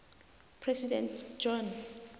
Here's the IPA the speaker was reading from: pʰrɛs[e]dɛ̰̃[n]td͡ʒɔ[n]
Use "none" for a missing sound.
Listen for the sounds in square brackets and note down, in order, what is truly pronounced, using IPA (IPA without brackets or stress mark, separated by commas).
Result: i, n, n